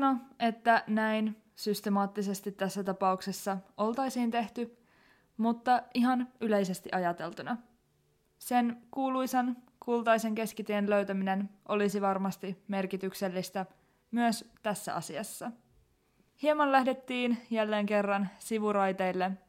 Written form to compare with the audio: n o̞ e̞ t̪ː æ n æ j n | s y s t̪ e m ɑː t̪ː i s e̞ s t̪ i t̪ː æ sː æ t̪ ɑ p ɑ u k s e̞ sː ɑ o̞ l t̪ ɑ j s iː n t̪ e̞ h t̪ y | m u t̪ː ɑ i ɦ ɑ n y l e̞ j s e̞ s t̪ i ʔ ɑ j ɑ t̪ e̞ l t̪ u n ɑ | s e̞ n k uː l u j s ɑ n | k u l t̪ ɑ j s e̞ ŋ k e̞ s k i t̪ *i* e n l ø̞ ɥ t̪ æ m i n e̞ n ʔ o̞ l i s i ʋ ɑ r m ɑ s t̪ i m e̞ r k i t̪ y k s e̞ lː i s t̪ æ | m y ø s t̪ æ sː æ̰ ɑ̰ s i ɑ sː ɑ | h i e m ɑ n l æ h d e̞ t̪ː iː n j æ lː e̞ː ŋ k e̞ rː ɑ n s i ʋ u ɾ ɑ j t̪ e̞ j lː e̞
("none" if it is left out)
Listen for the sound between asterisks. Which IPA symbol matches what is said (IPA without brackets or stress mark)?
i